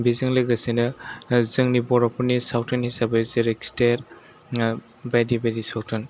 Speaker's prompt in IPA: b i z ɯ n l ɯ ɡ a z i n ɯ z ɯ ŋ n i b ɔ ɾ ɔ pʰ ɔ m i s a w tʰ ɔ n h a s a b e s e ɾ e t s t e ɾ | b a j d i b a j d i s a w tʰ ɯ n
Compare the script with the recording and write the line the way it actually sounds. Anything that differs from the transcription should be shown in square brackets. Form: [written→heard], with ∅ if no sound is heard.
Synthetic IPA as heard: b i z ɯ [n→ŋ] l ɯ ɡ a [z→s] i n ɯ z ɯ ŋ n i b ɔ ɾ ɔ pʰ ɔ [m→n] i s a w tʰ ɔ n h [a→i] s a b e [s→z] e ɾ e [t→k] s t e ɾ | b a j d i b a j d i s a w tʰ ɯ n